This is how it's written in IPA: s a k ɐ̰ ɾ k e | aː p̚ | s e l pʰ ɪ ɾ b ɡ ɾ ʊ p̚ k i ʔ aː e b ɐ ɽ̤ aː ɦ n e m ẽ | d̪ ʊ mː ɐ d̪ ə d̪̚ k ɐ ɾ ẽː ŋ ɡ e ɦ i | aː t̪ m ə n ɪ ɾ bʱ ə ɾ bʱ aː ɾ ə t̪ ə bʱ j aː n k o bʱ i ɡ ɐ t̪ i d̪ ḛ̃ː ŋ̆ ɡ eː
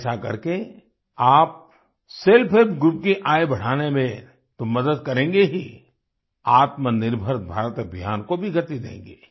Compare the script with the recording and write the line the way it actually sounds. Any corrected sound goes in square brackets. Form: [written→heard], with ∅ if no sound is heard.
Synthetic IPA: s a k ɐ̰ ɾ k e | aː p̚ | s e l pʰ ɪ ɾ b ɡ ɾ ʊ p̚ k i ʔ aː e b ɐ ɽ̤ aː [ɦ→∅] n e m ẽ | [d̪→t̪] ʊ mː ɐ d̪ ə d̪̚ k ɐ ɾ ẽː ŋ ɡ e ɦ i | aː t̪ m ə n ɪ ɾ bʱ ə ɾ bʱ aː ɾ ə t̪ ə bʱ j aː n k o bʱ i ɡ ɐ t̪ i d̪ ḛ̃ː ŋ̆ ɡ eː